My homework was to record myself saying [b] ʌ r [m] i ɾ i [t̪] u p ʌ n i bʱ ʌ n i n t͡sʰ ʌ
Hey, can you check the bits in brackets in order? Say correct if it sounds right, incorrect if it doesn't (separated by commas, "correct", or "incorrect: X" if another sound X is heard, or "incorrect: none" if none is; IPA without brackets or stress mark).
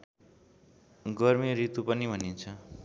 incorrect: ɡ, correct, correct